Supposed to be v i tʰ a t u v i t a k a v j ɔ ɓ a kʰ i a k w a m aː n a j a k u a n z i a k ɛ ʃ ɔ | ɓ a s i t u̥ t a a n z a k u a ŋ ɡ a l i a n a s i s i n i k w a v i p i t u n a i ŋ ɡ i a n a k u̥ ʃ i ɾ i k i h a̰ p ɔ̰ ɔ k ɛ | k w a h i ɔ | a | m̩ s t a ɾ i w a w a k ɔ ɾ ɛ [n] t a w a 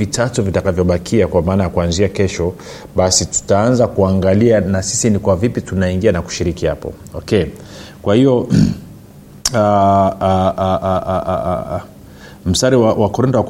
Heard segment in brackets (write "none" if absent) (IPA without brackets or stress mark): n